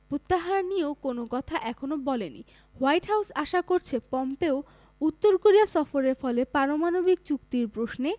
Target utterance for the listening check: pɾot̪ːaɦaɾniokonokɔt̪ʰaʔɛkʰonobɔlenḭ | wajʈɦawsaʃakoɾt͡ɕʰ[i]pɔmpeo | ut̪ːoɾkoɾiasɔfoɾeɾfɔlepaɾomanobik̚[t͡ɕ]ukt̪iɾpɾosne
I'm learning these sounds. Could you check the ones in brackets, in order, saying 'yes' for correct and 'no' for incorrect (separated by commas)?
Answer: no, yes